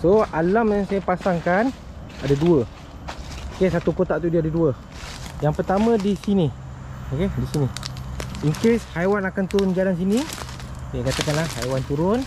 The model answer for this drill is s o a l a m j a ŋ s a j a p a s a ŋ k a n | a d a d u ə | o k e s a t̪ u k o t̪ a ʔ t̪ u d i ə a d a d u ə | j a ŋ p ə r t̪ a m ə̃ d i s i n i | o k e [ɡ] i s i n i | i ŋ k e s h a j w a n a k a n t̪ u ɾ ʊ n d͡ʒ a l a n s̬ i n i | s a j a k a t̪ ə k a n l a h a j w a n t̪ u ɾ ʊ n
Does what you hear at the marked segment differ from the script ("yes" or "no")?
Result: yes